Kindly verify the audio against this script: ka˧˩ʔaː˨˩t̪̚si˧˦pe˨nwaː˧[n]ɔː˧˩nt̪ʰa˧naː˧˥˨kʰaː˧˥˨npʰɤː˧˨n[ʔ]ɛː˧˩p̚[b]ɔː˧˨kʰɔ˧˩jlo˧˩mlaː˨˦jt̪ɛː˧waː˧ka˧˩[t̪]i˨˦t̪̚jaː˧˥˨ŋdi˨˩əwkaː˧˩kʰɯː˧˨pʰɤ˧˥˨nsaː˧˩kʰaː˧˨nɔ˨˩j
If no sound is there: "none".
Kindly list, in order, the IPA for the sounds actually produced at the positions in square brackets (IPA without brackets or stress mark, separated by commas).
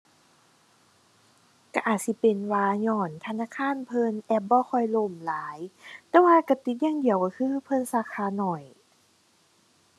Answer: ɲ, ʔ, b, t̪